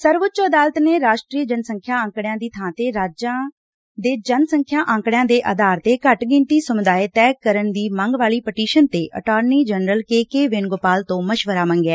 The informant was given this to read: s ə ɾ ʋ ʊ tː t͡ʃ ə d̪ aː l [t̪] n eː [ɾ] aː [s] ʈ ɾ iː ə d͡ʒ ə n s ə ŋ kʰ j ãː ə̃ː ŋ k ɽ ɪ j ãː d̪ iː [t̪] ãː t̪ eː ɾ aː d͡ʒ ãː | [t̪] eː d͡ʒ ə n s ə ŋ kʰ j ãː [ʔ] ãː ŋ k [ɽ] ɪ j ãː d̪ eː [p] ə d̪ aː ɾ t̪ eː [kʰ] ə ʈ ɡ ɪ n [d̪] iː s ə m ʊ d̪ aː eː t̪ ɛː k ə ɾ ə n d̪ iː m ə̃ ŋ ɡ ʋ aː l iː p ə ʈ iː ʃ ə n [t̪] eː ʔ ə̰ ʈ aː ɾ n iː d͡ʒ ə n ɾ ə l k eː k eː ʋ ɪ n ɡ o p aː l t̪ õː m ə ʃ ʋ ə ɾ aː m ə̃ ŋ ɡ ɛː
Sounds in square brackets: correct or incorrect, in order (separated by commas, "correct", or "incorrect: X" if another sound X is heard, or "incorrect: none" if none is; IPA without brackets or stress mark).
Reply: correct, correct, incorrect: ʃ, incorrect: t̪ʰ, incorrect: d̪, correct, correct, incorrect: ʔ, incorrect: k, incorrect: t̪, correct